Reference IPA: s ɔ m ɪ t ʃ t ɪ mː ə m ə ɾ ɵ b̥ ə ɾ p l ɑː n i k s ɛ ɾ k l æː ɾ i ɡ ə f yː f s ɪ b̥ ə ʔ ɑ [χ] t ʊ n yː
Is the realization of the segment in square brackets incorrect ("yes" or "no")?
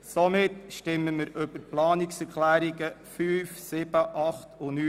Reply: no